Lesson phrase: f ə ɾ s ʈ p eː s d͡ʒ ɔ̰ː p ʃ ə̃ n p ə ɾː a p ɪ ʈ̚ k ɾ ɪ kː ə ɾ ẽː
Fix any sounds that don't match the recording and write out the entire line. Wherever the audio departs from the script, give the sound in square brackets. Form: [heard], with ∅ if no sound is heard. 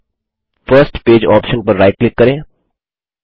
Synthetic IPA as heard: f ə ɾ s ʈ p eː [∅] d͡ʒ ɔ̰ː p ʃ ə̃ n p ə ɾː a [∅] ɪ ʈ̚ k [l] ɪ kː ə ɾ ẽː